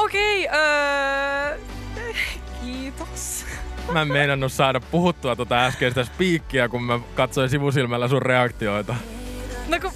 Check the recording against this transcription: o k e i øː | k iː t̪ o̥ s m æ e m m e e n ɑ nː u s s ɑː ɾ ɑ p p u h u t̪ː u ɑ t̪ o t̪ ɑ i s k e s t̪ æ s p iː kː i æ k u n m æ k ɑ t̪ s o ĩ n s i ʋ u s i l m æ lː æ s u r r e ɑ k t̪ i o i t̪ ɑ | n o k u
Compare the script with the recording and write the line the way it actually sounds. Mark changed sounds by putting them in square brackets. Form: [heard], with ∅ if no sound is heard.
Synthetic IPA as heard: o k e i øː | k iː t̪ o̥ s m æ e m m e [i] n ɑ nː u s s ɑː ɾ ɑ p p u h u t̪ː u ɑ t̪ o t̪ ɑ [æ] s k e s t̪ æ s p iː kː i æ k u [m] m æ k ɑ t̪ s o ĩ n s i ʋ u s i l m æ lː æ s u r r e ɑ k t̪ i o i t̪ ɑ | n o k u